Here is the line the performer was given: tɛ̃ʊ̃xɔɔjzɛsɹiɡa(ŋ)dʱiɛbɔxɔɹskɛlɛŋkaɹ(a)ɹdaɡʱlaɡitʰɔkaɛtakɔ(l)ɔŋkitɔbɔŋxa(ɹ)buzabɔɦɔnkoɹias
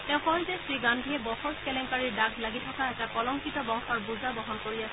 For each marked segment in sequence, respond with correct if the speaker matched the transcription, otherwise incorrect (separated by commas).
incorrect, incorrect, correct, correct